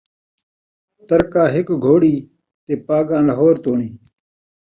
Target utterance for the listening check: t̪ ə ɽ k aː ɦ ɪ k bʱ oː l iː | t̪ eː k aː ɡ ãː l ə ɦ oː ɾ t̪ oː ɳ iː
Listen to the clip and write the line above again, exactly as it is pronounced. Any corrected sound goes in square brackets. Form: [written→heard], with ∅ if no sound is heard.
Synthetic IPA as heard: t̪ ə [ɽ→ɾ] k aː ɦ ɪ k [bʱ→ɡʱ] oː [l→ɽ] iː | t̪ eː [k→p] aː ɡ ãː l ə ɦ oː ɾ t̪ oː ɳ iː